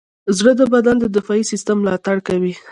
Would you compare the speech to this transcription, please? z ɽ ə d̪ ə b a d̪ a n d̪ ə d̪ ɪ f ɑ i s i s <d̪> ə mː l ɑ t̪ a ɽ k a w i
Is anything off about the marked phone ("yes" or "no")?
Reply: yes